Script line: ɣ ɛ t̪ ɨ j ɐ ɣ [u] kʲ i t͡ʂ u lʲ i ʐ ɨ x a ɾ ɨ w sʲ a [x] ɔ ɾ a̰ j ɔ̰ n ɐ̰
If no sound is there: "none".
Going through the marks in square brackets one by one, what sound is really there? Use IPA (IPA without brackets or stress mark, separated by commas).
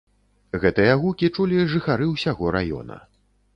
u, ɣ